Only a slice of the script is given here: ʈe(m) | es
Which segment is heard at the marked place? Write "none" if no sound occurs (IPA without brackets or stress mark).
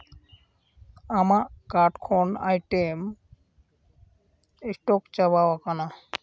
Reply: m